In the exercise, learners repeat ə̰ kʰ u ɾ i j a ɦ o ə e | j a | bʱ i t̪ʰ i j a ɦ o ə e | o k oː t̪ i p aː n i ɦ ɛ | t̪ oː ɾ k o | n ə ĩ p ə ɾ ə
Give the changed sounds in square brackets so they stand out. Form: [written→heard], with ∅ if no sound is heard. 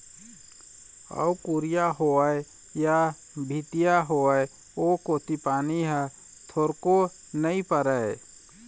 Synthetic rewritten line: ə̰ [kʰ→k] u ɾ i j a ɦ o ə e | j a | bʱ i [t̪ʰ→t̪] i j a ɦ o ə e | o k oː t̪ i p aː n i ɦ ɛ | [t̪→t̪ʰ] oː ɾ k o | n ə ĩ p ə ɾ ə